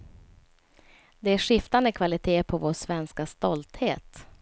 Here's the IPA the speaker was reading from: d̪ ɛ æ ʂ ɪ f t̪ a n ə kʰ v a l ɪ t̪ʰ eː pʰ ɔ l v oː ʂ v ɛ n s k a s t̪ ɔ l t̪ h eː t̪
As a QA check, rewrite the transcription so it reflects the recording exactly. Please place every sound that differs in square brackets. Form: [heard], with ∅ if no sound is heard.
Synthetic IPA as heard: d̪ ɛ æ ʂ ɪ f t̪ a n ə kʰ v a l ɪ t̪ʰ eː pʰ ɔ [∅] v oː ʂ v ɛ n s k a s t̪ ɔ l t̪ h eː t̪